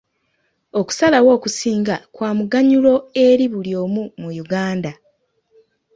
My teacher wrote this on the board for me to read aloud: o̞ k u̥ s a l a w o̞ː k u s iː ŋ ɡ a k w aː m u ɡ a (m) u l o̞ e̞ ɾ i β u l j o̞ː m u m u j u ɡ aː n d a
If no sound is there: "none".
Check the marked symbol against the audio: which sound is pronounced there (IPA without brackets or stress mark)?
ɲ